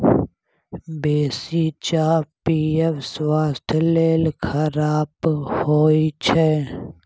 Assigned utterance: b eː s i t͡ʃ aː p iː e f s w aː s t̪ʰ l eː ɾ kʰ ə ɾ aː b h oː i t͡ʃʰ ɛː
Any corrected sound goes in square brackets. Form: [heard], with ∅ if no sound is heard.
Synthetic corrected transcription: b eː s i t͡ʃ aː p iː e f s w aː s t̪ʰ l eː [l] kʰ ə ɾ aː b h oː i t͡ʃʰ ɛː